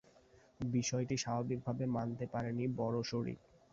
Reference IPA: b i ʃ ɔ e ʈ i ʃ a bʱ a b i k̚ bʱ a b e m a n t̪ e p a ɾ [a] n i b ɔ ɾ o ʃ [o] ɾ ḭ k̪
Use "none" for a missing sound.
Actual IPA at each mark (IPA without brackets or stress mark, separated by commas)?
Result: e, o